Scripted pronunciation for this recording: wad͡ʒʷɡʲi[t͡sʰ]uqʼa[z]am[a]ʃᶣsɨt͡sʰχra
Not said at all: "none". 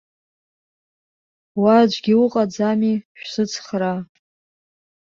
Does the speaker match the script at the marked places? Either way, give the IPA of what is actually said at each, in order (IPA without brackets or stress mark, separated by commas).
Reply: none, d͡z, i